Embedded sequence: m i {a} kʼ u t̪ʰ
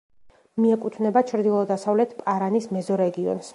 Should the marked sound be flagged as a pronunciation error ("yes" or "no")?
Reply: yes